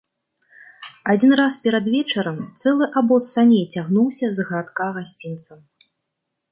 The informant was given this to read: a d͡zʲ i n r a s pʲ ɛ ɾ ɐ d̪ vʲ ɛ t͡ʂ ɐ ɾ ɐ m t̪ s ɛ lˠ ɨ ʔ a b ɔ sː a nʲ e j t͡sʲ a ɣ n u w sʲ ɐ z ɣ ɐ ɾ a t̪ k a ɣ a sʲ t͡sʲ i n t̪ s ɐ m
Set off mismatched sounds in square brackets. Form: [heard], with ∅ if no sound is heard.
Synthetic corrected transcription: a d͡zʲ i n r a s pʲ ɛ ɾ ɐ d̪ vʲ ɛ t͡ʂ ɐ ɾ ɐ m t̪ s ɛ lˠ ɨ ʔ a b ɔ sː a nʲ e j t͡sʲ a ɣ n u w sʲ ɐ z ɣ ɐ ɾ a t̪ k a ɣ a sʲ t͡sʲ i n t̪ s ɐ m